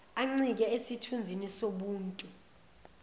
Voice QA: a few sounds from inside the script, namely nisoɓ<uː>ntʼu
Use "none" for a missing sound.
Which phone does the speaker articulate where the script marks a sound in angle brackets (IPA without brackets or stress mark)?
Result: uː